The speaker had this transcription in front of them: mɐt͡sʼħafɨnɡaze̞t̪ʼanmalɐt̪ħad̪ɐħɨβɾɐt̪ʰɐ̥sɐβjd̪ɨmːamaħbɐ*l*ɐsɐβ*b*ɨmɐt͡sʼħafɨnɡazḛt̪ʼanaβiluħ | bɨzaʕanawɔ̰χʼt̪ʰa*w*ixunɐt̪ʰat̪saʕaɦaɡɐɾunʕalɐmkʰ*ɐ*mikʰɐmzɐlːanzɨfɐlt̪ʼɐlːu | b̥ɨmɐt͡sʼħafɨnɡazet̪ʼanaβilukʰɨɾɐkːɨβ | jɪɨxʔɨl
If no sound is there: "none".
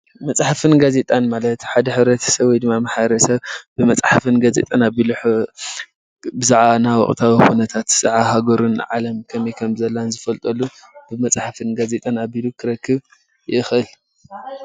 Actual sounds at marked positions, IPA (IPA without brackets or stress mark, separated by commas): ɾ, b, w, ɐ